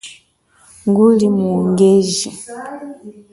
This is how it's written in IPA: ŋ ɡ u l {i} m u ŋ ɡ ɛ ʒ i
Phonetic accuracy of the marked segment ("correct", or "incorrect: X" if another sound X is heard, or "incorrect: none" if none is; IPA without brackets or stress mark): correct